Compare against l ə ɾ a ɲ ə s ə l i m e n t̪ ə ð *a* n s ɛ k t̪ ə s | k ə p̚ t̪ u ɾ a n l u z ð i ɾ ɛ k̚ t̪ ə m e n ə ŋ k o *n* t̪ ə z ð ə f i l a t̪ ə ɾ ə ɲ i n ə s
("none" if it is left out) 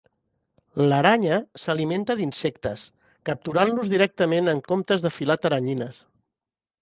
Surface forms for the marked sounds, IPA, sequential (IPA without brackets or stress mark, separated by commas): i, m